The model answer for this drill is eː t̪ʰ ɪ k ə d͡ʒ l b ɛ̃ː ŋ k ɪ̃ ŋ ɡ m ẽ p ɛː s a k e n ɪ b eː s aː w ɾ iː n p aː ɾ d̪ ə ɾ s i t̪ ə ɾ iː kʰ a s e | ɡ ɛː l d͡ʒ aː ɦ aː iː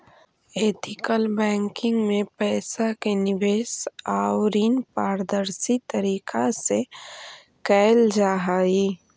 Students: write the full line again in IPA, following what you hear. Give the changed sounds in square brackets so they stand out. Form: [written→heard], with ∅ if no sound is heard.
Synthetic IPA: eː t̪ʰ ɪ k ə [d͡ʒ→∅] l b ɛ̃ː ŋ k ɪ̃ ŋ ɡ m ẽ p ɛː s a k e n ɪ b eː s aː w ɾ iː n p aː ɾ d̪ ə ɾ s i t̪ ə ɾ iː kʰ a s e | [ɡ→k] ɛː l d͡ʒ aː ɦ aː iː